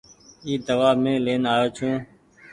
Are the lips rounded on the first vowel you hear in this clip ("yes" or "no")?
no